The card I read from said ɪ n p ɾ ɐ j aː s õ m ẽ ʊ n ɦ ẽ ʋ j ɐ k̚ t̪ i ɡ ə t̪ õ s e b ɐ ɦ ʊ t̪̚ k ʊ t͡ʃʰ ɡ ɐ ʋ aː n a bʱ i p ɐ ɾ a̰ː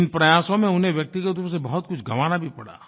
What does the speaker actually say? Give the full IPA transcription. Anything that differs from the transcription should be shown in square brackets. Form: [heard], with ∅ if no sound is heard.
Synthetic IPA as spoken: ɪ n p ɾ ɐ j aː s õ m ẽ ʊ n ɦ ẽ ʋ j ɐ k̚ t̪ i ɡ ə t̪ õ s e b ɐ ɦ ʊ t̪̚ k ʊ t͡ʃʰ ɡ ɐ ʋ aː n a bʱ i p ɐ [ɽ] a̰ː